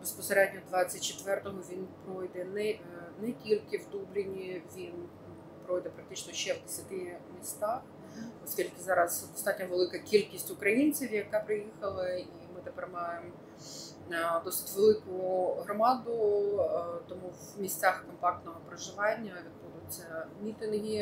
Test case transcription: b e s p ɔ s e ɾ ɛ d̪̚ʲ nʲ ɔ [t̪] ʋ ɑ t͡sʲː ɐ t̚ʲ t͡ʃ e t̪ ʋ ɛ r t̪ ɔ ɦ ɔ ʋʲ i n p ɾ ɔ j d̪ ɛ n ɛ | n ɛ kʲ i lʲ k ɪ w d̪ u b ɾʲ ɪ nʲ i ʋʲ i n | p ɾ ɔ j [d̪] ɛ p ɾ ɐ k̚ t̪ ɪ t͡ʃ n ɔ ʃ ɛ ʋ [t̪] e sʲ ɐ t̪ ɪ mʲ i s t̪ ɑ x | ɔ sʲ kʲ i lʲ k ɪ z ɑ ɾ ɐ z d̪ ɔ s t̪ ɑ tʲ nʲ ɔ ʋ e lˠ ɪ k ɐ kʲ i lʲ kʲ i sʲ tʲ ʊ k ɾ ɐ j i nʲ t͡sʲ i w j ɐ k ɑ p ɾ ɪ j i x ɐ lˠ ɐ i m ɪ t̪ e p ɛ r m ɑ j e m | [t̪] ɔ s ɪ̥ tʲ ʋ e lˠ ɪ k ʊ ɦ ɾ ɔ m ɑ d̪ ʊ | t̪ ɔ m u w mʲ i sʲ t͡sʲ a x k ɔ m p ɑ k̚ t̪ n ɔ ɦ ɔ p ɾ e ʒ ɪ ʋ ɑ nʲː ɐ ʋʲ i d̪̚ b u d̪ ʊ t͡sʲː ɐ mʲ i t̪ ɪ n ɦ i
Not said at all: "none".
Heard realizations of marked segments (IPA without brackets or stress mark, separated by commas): d̪, d̪, d̪, d̪